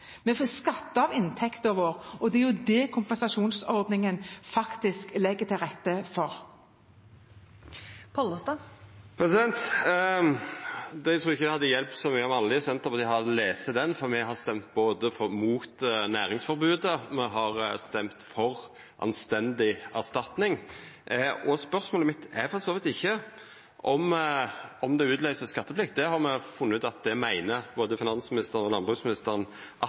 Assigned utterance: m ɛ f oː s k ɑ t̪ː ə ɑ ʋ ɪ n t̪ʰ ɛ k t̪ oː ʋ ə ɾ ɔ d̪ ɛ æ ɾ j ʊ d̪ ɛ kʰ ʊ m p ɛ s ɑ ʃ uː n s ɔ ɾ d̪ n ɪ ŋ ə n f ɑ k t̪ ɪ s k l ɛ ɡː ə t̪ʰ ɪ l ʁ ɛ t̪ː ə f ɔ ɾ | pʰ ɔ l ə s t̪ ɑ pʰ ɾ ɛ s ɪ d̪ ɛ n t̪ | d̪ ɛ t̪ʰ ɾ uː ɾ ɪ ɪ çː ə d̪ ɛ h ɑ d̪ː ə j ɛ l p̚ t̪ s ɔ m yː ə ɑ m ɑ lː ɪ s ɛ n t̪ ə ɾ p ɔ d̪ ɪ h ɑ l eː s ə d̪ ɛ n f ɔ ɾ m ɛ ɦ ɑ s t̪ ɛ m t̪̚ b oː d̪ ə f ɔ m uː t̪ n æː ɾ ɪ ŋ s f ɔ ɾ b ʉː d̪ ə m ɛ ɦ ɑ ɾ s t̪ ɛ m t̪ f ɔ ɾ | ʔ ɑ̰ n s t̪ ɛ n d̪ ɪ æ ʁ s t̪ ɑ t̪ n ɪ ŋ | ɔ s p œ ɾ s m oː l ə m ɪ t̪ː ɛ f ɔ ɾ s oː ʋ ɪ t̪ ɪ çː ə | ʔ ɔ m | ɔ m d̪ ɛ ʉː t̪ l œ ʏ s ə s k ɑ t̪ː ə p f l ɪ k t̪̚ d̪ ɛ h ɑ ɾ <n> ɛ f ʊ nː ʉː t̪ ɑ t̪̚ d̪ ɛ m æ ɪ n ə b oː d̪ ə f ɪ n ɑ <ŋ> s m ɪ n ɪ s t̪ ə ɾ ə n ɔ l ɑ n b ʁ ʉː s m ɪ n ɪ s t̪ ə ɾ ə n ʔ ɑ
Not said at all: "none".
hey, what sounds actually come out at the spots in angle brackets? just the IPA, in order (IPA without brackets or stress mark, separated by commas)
m, n